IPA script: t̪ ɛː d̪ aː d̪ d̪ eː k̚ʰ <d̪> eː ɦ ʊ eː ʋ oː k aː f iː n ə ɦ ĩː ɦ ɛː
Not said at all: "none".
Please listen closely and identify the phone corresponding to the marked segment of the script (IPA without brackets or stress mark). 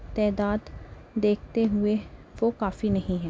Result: t̪